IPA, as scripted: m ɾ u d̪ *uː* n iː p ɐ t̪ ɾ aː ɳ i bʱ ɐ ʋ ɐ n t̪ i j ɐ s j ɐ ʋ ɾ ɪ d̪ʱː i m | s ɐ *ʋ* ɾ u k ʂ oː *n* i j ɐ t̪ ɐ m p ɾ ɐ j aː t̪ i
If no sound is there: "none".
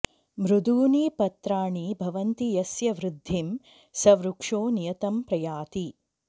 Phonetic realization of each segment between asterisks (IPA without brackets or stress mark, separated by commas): uː, ʋ, n